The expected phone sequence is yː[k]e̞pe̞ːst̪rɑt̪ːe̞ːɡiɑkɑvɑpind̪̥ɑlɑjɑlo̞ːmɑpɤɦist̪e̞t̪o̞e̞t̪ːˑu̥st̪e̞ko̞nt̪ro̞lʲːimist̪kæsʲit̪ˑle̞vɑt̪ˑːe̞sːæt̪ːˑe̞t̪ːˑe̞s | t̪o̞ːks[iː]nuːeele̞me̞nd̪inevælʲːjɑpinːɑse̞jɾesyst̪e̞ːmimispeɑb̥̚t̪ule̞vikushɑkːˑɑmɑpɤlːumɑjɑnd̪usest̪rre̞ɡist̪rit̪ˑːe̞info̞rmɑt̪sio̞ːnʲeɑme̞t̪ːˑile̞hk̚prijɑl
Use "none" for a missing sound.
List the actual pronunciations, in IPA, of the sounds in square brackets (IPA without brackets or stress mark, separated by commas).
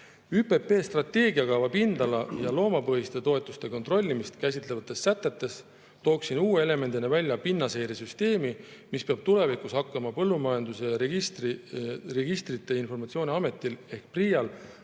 p, i